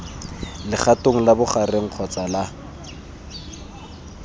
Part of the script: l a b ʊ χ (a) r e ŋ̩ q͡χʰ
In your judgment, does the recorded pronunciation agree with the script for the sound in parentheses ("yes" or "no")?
yes